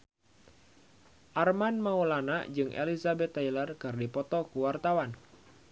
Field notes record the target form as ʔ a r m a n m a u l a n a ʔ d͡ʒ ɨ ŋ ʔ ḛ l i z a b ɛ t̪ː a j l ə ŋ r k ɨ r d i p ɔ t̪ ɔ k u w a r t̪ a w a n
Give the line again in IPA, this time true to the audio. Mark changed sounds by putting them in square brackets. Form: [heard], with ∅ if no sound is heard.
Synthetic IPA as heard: ʔ a r m a n m a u l a n a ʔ d͡ʒ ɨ ŋ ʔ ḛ l i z a b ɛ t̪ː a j l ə [∅] r k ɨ r d i p ɔ t̪ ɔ k u w a r t̪ a w a n